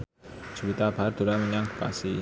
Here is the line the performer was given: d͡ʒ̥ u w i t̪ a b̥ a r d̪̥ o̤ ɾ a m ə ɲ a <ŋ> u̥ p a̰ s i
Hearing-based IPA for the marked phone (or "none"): ŋ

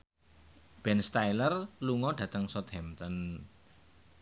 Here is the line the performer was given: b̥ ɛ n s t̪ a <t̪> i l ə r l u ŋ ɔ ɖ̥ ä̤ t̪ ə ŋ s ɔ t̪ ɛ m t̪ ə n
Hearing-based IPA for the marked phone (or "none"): none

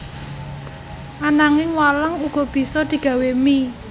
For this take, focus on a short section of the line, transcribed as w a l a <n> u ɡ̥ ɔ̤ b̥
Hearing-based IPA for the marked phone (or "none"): ŋ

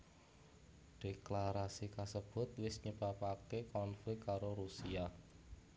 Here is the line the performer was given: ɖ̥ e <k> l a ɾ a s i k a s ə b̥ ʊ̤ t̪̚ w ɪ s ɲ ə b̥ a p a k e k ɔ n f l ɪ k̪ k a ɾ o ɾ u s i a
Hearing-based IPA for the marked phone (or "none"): k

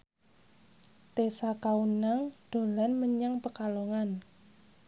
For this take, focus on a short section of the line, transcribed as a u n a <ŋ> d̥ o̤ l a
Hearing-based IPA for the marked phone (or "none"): ŋ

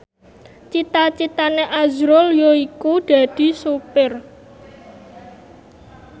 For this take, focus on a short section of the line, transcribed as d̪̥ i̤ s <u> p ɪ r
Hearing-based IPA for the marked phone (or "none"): u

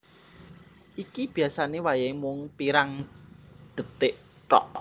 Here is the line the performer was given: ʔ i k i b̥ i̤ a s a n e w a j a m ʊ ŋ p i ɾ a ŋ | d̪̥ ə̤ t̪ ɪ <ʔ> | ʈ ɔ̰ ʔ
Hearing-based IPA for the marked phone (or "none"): ʔ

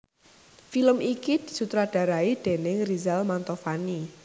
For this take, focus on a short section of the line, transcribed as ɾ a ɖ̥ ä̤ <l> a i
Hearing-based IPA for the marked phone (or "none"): ɾ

